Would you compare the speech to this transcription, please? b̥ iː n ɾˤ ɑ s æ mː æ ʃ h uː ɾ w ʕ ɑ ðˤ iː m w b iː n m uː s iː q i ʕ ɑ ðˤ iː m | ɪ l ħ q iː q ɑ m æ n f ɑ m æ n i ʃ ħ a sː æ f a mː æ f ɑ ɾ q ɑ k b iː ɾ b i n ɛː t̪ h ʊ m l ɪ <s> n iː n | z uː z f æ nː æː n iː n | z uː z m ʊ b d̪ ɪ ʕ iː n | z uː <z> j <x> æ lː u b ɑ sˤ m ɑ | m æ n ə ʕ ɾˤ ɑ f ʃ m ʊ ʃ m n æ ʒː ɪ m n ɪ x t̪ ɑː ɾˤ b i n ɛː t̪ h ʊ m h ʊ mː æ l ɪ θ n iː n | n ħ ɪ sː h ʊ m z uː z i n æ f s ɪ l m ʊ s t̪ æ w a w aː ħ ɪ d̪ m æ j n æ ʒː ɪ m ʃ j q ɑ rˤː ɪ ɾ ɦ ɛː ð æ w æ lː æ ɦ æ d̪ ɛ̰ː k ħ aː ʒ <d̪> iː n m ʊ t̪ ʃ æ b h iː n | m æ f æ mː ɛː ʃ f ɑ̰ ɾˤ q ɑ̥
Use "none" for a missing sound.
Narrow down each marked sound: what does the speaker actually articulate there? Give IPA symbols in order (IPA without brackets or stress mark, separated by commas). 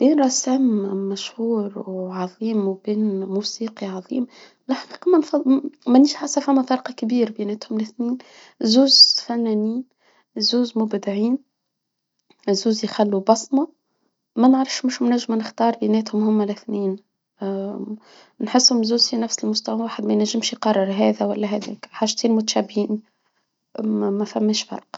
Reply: θ, z, x, t̪